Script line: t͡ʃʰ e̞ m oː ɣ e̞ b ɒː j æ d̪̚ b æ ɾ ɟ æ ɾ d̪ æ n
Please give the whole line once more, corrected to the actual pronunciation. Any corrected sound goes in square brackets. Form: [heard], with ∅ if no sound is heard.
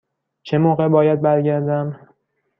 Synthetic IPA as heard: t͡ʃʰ e̞ m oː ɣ e̞ b ɒː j æ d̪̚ b æ ɾ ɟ æ ɾ d̪ æ [m]